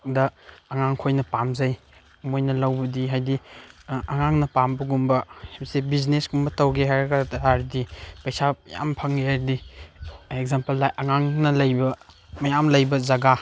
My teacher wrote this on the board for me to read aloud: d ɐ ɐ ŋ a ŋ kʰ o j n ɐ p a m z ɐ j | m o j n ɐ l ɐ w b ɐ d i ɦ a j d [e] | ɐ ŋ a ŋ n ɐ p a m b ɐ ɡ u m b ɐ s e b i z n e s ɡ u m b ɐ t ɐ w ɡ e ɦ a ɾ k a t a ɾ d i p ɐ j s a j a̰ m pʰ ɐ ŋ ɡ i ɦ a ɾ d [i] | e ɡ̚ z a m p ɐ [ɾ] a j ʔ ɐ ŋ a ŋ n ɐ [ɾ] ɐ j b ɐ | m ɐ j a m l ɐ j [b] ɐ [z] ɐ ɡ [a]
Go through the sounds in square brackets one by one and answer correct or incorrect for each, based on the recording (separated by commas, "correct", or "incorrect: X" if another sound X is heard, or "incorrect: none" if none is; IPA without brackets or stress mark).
incorrect: i, correct, incorrect: l, incorrect: l, correct, correct, correct